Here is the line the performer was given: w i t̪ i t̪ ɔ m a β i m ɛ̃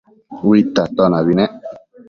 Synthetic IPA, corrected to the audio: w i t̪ a t̪ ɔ n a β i n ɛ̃